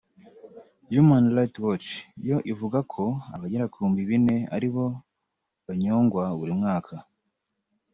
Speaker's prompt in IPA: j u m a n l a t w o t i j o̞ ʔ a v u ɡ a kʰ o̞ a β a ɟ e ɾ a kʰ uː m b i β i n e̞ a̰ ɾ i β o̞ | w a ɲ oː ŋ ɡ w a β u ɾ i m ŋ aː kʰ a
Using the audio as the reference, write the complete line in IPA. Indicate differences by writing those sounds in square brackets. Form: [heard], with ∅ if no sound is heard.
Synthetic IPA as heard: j u m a n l a t w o [t͡ʃ] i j o̞ ʔ [i] v u ɡ a kʰ o̞ a β a ɟ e ɾ a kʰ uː m b i β i n e̞ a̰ ɾ i β o̞ | [β] a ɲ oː ŋ ɡ w a β u ɾ i m ŋ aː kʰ a